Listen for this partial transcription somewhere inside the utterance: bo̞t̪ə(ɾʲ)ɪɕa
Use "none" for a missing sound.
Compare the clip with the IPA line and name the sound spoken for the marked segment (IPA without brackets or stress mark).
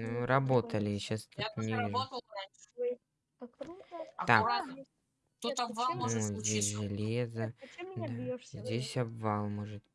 lʲ